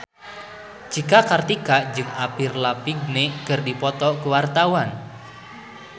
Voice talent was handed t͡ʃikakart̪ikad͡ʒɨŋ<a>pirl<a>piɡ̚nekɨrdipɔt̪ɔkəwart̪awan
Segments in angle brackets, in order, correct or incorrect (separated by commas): correct, correct